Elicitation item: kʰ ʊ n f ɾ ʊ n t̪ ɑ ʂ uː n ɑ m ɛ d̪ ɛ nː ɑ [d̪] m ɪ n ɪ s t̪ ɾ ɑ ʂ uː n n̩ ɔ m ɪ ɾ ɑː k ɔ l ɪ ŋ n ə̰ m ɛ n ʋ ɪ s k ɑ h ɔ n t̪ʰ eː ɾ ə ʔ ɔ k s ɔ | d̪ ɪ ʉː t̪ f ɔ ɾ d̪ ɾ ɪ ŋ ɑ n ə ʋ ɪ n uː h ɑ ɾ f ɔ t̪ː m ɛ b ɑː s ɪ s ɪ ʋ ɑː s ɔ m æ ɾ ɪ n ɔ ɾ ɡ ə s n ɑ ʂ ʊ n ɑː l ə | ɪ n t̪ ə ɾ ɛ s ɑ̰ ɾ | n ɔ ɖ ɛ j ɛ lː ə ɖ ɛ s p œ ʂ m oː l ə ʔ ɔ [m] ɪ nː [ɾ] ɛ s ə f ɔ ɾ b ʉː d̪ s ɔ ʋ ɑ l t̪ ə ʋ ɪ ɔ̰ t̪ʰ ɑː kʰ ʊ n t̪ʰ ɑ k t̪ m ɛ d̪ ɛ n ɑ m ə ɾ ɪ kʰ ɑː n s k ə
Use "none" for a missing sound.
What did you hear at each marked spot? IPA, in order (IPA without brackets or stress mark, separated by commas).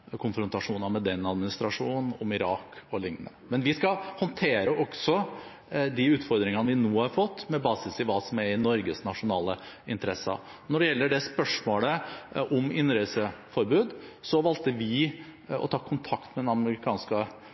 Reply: d̪, m, ɾ